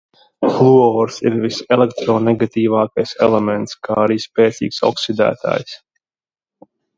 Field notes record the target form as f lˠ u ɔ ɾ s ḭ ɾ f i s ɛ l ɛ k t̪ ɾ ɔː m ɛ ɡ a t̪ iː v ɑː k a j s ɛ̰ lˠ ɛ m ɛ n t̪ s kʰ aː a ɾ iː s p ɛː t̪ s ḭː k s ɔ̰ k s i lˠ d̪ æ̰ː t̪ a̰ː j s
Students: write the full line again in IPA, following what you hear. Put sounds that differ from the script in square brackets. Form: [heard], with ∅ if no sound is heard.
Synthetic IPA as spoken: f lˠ u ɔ ɾ s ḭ ɾ [v] i s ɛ l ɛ k t̪ ɾ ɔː [n] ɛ ɡ a t̪ iː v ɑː k a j s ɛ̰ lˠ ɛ m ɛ n t̪ s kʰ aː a ɾ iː s p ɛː t̪ s ḭː k s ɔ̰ k s i [∅] d̪ æ̰ː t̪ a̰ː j s